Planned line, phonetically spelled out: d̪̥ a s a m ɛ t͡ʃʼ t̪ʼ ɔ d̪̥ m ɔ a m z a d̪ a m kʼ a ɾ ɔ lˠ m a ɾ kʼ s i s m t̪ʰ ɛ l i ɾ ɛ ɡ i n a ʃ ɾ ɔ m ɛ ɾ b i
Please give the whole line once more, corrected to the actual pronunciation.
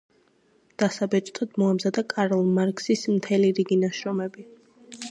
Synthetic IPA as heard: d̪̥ a s a b ɛ t͡ʃʼ t̪ʼ ɔ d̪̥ m ɔ a m z a d̪ a kʼ a ɾ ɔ lˠ m a ɾ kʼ s i s m t̪ʰ ɛ l i ɾ i ɡ i n a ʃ ɾ ɔ m ɛ b i